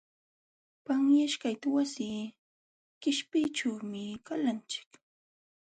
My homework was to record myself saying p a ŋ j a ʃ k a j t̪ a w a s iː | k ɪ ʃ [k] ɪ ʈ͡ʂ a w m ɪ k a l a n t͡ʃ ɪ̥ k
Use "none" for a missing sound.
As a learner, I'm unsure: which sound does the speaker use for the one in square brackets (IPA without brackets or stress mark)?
p